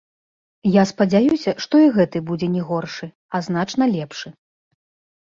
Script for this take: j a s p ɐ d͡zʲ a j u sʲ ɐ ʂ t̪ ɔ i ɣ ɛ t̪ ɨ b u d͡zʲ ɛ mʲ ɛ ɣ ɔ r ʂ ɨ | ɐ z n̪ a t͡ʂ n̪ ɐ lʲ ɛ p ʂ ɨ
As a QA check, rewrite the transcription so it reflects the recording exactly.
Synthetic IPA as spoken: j a s p ɐ d͡zʲ a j u sʲ ɐ ʂ t̪ ɔ i ɣ ɛ t̪ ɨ b u d͡zʲ ɛ nʲ ɛ ɣ ɔ r ʂ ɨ | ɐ z n̪ a t͡ʂ n̪ ɐ lʲ ɛ p ʂ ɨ